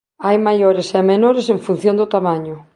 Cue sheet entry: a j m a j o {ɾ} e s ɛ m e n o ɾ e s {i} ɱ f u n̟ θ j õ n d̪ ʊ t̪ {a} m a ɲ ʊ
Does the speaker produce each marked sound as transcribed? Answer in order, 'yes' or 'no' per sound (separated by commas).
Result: yes, no, yes